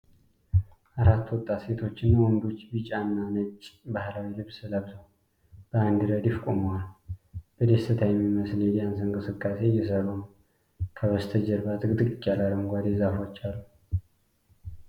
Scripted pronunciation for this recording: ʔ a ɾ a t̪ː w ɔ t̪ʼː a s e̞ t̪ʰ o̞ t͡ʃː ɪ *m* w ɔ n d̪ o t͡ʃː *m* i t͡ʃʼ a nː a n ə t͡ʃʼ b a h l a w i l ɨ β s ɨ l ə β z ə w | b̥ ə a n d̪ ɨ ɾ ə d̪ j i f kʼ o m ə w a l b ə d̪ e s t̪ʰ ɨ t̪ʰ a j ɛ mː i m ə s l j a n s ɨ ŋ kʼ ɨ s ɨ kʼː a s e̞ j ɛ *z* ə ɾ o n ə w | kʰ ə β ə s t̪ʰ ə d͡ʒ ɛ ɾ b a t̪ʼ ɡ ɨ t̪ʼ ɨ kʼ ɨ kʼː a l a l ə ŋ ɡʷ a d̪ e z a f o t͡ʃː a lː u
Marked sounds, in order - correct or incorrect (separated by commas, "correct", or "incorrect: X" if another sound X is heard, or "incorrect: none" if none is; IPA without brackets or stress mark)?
incorrect: n, incorrect: b, incorrect: s